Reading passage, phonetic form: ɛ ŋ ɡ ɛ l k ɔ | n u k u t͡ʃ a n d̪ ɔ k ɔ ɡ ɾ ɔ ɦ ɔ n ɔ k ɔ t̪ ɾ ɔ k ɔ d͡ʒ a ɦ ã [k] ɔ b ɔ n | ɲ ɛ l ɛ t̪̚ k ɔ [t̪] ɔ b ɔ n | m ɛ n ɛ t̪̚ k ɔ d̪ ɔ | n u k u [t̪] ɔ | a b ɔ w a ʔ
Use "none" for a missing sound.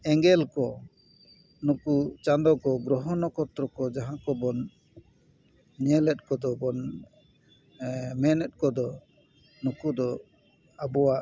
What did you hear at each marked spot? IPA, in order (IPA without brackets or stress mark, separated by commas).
k, d̪, d̪